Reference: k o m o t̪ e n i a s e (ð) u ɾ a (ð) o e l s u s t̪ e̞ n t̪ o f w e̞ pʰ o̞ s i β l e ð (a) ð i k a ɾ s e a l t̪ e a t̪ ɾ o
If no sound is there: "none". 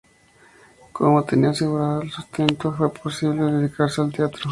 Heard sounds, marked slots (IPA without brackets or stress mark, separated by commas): ɣ, ð, e